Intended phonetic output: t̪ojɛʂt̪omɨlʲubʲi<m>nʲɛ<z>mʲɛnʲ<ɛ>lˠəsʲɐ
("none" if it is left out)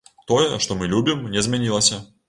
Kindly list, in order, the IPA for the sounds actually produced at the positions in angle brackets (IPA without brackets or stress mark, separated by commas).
m, z, i